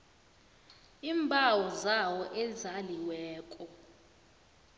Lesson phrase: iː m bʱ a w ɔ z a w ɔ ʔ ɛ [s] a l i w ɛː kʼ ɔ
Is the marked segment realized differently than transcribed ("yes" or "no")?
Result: yes